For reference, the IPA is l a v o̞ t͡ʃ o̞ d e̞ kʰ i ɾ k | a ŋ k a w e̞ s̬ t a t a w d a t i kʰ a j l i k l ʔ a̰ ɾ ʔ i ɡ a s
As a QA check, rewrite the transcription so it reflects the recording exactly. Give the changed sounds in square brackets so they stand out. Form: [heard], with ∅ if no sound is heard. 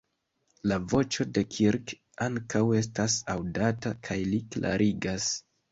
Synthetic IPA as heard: l a v o̞ t͡ʃ o̞ d e̞ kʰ i ɾ k | a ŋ k a w e̞ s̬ t a [s] a w d a t [a] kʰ a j l i k l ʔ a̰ ɾ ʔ i ɡ a s